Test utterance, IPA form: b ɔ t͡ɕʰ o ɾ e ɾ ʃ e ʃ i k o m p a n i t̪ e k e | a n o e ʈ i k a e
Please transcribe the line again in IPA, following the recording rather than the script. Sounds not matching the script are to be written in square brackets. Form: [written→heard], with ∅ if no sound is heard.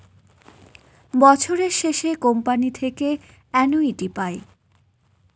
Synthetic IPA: b ɔ t͡ɕʰ o ɾ e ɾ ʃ e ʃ [i→e] k o m p a n i [t̪→t̪ʰ] e k e | [a→ɛ] n o [e→i] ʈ i [k→p] a e